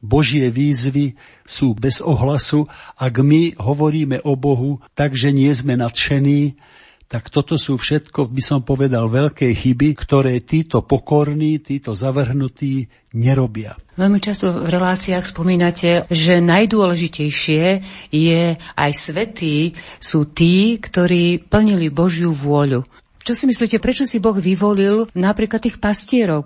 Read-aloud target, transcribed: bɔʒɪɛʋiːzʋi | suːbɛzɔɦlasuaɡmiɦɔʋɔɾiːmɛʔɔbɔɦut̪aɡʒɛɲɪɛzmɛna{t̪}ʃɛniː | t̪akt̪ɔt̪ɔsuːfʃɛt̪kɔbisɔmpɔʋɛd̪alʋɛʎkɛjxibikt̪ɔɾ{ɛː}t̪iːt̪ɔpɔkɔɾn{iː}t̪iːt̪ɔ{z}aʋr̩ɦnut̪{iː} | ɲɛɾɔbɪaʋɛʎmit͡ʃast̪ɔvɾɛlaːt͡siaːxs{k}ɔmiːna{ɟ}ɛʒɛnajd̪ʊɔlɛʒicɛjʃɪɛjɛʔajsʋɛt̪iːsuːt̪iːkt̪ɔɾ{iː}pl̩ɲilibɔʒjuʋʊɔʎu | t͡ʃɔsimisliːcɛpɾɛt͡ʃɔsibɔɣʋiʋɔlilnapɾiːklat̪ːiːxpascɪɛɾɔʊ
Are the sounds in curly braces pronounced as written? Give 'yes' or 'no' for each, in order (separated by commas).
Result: yes, yes, yes, yes, yes, no, no, yes